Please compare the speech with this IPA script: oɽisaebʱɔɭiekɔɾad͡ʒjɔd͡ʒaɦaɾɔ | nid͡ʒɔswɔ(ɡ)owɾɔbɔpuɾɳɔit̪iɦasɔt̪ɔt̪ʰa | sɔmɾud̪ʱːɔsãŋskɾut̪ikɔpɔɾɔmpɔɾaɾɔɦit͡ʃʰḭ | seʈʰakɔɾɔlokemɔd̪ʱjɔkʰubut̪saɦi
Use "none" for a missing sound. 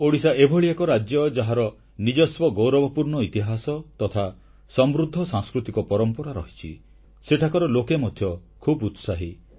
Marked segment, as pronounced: ɡ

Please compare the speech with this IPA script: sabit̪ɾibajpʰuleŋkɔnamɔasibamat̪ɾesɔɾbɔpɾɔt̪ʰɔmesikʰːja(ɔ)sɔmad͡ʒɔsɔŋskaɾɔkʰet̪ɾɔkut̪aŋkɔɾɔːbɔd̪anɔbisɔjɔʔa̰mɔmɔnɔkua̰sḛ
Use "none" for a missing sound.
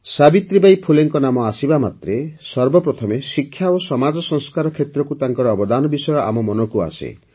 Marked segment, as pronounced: o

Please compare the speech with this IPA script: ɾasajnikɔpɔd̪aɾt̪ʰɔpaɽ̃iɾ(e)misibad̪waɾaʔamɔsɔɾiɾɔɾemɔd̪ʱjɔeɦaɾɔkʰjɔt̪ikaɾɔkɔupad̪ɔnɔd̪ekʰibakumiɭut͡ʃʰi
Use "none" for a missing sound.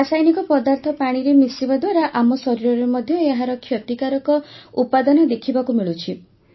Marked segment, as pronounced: e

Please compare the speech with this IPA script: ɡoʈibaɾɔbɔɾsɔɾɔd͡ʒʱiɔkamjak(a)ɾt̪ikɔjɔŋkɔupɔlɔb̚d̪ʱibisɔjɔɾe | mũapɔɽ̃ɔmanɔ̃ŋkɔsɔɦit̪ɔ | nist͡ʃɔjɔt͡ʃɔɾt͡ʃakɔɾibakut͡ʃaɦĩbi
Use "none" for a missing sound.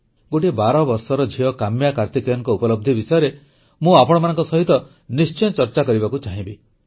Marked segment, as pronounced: a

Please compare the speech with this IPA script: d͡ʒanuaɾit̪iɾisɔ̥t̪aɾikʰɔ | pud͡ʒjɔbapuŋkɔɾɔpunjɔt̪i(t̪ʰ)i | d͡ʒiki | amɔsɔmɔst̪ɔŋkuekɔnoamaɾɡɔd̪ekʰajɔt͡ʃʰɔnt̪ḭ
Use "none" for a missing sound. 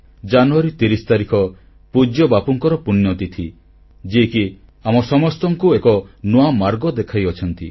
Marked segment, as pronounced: t̪ʰ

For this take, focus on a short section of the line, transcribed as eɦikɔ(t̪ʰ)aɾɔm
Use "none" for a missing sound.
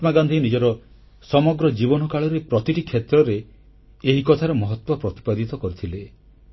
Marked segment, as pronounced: t̪ʰ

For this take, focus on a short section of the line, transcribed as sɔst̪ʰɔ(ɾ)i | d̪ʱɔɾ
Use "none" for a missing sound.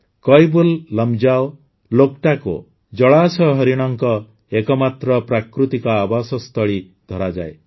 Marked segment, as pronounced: ɭ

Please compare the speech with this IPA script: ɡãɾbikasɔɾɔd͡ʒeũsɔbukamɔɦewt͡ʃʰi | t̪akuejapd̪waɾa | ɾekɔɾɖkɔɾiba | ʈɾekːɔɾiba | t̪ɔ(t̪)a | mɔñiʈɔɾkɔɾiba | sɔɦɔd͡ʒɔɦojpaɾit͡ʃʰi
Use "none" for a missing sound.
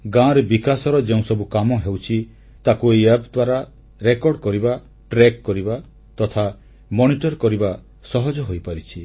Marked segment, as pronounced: t̪ʰ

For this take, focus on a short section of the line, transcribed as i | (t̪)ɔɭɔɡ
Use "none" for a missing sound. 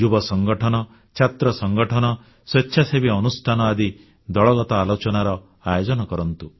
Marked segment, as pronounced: d̪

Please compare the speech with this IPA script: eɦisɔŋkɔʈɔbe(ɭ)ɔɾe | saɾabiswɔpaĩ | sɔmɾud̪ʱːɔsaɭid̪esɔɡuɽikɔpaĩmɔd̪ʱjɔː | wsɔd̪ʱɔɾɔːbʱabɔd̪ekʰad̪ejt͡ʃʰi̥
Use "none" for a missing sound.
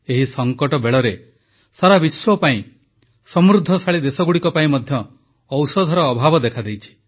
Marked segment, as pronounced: ɭ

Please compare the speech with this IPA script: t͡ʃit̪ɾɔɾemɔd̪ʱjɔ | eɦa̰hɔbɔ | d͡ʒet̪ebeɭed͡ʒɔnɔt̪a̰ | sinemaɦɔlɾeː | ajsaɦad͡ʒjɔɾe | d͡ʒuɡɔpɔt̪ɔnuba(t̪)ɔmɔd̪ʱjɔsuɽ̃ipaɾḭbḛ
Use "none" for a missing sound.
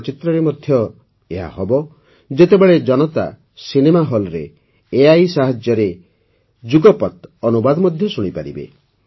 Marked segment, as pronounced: d̪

